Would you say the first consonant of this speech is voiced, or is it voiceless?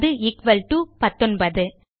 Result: voiced